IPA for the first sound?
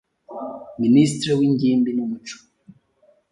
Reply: m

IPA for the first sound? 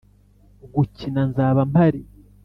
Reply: ɡ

